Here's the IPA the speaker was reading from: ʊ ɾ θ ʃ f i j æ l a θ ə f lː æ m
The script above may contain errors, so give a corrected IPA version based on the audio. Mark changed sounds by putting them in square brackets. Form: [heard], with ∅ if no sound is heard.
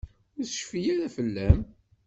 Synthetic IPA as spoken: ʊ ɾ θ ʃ f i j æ [ɾ] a [f] ə [∅] lː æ m